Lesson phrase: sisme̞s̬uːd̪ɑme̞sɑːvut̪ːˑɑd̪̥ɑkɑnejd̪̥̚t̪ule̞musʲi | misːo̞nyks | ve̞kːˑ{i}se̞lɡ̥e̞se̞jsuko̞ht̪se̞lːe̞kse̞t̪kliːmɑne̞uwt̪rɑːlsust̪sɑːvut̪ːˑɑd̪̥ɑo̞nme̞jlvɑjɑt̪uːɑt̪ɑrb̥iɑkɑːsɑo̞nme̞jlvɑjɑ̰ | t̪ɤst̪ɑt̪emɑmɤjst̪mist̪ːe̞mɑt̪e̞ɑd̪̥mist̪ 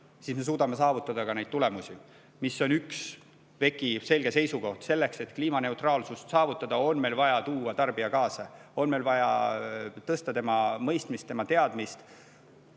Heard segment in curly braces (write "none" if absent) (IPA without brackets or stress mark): i